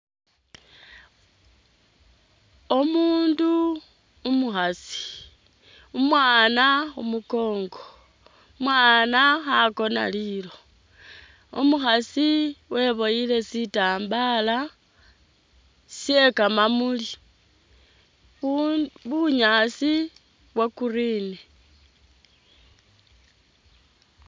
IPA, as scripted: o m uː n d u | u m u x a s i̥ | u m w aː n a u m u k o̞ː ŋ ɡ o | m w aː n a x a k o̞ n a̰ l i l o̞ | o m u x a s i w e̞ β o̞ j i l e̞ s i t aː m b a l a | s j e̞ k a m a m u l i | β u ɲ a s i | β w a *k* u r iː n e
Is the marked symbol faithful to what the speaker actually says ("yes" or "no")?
yes